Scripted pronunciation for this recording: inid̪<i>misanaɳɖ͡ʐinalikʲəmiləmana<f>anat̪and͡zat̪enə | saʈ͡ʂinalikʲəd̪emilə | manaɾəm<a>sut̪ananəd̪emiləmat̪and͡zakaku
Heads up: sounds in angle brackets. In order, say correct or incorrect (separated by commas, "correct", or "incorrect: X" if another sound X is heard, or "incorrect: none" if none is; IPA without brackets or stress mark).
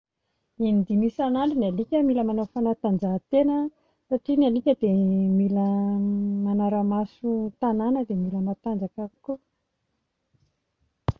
correct, correct, correct